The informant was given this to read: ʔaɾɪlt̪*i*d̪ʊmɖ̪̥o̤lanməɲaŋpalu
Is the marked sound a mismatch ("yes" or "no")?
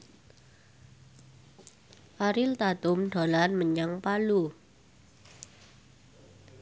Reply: yes